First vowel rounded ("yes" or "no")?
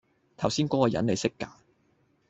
no